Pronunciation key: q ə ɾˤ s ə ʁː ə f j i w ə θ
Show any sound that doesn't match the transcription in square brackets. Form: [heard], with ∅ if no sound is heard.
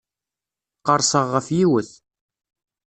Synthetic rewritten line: q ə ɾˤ s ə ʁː ə f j i w ə θ

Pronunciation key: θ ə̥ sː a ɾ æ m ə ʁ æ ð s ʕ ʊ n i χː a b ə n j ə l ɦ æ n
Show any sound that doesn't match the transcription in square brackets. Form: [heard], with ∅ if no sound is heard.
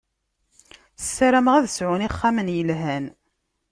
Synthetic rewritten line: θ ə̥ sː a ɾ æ m ə ʁ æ ð s ʕ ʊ n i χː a [m] ə n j ə l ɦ æ n

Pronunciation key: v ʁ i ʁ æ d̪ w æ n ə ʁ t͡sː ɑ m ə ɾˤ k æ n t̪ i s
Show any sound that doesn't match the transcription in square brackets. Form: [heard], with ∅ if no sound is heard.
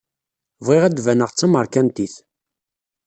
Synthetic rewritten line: v ʁ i ʁ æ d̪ [v] æ n ə ʁ t͡sː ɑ m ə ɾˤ k æ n t̪ i [θ]

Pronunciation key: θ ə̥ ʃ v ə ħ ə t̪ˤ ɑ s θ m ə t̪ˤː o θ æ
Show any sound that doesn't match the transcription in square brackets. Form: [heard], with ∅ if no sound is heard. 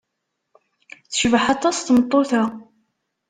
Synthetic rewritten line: θ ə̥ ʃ v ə ħ [ɑ] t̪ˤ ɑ s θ m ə t̪ˤː o θ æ

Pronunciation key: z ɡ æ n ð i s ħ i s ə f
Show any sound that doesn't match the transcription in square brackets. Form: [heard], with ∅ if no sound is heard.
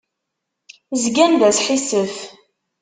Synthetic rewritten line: z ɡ æ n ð [æ] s ħ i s ə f

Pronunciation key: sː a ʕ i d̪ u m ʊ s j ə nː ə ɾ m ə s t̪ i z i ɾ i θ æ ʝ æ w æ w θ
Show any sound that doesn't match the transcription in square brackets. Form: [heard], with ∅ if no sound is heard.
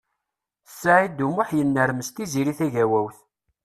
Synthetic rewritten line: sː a ʕ i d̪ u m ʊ [ħ] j ə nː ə ɾ m ə s t̪ i z i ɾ i θ æ ʝ æ w æ w θ

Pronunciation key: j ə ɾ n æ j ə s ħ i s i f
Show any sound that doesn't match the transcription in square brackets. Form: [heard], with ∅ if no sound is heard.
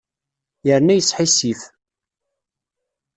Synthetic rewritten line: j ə ɾ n æ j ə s ħ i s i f

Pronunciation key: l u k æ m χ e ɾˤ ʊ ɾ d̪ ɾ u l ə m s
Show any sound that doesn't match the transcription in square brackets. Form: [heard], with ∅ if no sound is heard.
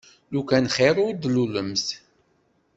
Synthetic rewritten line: l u k æ [n] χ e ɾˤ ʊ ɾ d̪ [l] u l ə m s

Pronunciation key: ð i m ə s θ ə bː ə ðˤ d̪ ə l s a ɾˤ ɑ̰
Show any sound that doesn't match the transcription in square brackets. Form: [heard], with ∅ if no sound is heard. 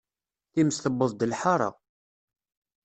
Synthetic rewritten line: [θ] i m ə s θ ə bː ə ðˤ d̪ ə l [ħ] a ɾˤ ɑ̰

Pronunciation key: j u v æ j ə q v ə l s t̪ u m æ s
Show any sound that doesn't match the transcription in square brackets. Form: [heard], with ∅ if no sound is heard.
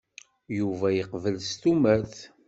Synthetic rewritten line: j u v æ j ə q v ə l s t̪ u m æ [θ]

